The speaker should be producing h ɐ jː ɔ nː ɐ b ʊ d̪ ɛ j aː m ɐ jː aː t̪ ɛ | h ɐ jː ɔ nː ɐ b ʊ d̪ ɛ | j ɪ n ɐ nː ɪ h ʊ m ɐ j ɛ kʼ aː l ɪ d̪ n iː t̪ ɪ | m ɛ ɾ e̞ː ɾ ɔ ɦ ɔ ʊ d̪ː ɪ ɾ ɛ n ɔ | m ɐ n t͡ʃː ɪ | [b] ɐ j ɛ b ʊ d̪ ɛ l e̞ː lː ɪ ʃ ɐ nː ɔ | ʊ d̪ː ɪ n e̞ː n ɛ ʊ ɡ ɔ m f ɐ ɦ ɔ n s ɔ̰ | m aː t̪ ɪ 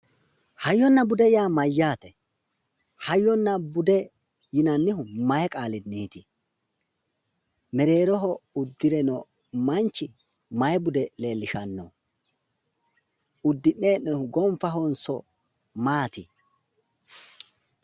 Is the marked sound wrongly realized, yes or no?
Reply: yes